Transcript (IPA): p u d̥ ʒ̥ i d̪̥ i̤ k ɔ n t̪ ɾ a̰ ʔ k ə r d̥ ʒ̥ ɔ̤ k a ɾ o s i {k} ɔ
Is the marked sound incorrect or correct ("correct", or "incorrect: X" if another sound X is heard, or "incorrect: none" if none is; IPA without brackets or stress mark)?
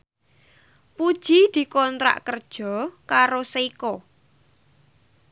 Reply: correct